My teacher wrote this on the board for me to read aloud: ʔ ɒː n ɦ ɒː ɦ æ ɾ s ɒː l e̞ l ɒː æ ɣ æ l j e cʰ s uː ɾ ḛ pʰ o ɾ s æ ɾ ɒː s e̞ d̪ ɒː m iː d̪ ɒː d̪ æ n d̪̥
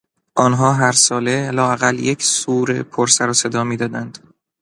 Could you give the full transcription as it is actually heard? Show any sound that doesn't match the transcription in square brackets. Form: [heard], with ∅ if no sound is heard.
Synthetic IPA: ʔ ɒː n ɦ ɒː ɦ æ ɾ s ɒː l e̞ l ɒː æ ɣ æ l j e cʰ s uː ɾ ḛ pʰ o ɾ s æ ɾ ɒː s e̞ d̪ ɒː m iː d̪ ɒː d̪ æ n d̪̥